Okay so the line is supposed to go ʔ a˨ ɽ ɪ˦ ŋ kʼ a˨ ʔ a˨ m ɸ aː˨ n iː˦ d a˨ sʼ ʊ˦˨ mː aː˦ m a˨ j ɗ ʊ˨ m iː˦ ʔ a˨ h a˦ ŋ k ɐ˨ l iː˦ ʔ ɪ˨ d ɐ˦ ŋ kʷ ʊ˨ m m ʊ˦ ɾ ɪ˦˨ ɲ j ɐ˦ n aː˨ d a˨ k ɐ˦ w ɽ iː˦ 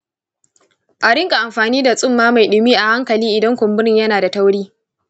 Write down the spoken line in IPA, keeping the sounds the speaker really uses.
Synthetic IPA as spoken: ʔ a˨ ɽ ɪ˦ ŋ kʼ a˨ ʔ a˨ m ɸ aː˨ n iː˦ d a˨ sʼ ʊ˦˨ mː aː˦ m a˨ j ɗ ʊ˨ m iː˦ ʔ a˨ h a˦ ŋ k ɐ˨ l iː˦ ʔ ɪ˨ d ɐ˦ ŋ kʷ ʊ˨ m b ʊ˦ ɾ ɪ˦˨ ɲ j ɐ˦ n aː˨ d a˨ t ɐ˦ w ɽ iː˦